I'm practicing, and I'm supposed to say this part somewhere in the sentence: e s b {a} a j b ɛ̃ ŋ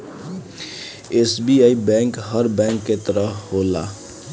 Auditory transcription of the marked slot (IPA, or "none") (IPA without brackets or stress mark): i